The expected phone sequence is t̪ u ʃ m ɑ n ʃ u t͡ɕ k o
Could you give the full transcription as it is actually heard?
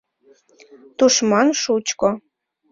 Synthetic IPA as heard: t̪ u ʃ m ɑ n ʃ u t͡ɕ k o